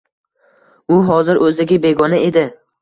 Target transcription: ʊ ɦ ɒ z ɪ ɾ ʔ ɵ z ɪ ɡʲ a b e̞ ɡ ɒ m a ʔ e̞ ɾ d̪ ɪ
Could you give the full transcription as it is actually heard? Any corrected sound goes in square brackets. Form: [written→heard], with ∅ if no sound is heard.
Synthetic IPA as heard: ʊ ɦ ɒ z ɪ ɾ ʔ ɵ z ɪ ɡʲ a b e̞ ɡ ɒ [m→n] a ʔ e̞ [ɾ→∅] d̪ ɪ